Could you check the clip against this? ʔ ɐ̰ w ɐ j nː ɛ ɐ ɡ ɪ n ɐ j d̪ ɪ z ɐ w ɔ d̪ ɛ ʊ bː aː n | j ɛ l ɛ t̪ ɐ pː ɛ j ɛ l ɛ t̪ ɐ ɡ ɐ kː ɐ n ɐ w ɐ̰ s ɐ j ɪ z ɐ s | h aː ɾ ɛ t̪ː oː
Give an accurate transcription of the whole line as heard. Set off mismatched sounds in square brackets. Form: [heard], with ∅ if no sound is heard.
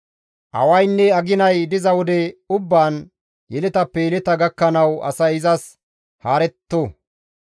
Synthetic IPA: ʔ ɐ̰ w ɐ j nː ɛ ɐ ɡ ɪ n ɐ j d̪ ɪ z ɐ w ɔ d̪ ɛ ʊ bː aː n | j ɛ l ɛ t̪ ɐ pː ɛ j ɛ l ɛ t̪ ɐ ɡ ɐ kː ɐ n ɐ w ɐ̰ s ɐ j ɪ z ɐ s | h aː ɾ ɛ t̪ː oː